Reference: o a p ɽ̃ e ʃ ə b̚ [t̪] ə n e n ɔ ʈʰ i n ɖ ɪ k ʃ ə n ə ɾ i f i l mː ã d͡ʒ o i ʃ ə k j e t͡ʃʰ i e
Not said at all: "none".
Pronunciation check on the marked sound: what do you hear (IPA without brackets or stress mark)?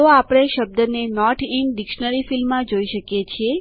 d̪